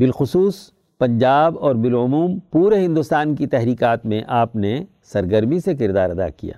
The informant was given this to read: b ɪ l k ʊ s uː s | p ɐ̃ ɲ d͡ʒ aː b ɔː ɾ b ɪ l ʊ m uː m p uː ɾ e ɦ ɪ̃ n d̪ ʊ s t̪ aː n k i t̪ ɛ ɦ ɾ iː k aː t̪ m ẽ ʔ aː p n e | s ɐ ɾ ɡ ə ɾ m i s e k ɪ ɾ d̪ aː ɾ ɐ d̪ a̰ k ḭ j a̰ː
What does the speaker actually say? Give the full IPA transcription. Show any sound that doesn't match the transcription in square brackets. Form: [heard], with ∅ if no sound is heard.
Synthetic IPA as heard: b ɪ l [x] ʊ s uː s | p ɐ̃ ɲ d͡ʒ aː b ɔː ɾ b ɪ l ʊ m uː m p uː ɾ e ɦ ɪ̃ n d̪ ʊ s t̪ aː n k i t̪ ɛ ɦ ɾ iː k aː t̪ m ẽ ʔ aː p n e | s ɐ ɾ ɡ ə ɾ m i s e k ɪ ɾ d̪ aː ɾ ɐ d̪ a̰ k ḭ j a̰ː